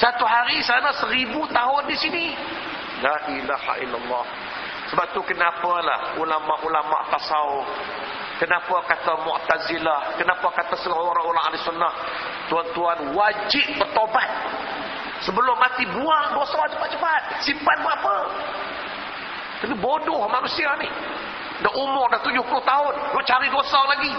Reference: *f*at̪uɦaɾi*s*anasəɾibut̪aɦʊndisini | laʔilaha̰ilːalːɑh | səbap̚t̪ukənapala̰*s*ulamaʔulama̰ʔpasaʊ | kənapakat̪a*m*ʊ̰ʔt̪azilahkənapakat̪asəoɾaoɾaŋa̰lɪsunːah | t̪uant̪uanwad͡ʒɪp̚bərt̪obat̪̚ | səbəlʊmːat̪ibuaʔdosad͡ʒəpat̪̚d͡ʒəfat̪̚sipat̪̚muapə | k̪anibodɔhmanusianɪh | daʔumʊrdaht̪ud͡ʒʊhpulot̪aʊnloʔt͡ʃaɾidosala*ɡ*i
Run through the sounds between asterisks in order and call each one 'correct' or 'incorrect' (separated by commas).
incorrect, correct, incorrect, correct, correct